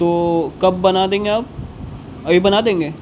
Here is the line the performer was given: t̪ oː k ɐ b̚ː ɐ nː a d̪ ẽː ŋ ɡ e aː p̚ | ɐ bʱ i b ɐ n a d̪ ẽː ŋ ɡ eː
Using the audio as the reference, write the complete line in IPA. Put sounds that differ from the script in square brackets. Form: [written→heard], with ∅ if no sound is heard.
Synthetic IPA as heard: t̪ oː k ɐ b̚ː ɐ [nː→n] a d̪ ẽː ŋ ɡ e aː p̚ | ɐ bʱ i b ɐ n a d̪ ẽː ŋ ɡ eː